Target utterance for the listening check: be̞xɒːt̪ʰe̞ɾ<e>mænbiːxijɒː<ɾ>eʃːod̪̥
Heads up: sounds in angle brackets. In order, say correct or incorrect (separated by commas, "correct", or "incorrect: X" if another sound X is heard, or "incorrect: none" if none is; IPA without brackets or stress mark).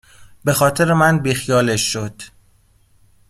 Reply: correct, incorrect: l